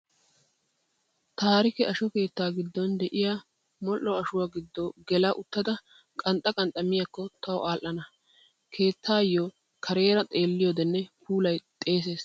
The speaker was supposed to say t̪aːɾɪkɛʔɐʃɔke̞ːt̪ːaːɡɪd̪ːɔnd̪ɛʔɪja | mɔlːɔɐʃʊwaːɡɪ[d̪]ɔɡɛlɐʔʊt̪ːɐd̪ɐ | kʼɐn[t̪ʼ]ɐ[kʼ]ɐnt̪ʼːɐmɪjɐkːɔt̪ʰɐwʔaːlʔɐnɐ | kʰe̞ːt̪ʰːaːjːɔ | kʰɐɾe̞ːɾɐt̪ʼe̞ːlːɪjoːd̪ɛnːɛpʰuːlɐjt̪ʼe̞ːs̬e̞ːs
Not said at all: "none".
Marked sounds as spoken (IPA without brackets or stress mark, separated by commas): d̪ː, t̪ʼ, kʼ